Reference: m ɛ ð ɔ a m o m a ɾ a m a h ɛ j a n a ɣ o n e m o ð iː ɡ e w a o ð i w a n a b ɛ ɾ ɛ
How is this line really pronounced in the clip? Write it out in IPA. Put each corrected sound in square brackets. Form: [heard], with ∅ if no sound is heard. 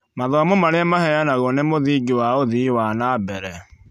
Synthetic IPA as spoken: m [a] ð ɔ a m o m a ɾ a m a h ɛ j a n a ɣ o n e m o ð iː ɡ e w a o ð i w a n a b ɛ ɾ ɛ